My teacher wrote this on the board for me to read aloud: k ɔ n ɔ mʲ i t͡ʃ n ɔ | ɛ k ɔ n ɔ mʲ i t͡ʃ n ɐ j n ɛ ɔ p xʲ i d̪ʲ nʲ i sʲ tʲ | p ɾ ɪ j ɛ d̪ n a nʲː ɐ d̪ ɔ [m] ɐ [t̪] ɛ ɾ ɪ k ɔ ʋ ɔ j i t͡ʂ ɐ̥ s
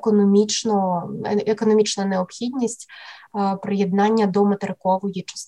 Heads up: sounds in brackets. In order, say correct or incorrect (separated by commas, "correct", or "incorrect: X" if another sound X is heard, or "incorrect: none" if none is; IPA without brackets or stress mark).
correct, correct